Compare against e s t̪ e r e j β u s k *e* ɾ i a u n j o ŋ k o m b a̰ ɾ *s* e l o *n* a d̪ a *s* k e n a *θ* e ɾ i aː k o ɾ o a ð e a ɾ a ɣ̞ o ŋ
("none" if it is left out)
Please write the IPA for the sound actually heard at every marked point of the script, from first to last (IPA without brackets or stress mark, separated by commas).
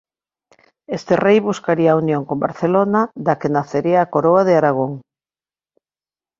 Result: a, θ, n, none, θ